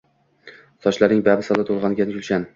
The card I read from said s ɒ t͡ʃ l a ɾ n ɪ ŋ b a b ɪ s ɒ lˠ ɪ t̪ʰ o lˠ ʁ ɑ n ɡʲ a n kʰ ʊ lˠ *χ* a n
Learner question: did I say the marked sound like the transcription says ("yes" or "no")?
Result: no